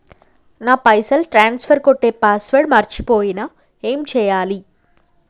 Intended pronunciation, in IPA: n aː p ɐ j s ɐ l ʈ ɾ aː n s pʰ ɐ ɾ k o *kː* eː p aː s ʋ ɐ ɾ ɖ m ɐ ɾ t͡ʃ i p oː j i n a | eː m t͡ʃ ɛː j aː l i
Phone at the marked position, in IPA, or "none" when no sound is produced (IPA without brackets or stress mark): ʈː